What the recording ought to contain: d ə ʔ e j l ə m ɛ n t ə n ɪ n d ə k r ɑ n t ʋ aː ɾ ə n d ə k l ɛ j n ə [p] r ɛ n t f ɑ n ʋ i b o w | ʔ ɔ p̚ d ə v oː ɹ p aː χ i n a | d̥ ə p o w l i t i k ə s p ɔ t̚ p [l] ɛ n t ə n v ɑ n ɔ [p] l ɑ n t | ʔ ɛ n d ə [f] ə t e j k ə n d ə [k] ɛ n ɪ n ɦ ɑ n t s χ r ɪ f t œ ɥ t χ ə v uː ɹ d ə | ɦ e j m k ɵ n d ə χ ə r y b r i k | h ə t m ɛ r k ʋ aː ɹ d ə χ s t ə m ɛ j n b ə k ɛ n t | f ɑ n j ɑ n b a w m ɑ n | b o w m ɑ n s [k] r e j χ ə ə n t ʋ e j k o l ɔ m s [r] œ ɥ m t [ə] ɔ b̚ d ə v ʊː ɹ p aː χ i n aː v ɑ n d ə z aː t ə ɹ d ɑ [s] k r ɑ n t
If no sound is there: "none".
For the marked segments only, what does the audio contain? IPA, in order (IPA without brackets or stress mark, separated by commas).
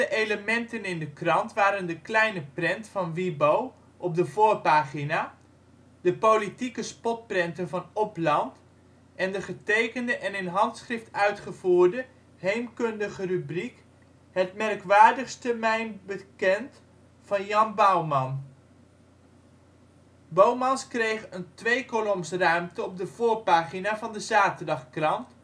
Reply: p, r, p, χ, ʔ, k, r, ə, χ